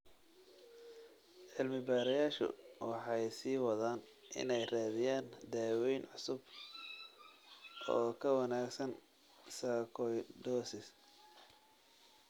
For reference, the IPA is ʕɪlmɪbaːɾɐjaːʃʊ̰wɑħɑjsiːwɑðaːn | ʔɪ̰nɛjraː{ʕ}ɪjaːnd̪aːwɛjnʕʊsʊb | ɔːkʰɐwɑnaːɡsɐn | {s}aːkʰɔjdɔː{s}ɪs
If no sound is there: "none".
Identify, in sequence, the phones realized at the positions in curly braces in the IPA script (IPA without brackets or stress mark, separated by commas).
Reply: ð, s, s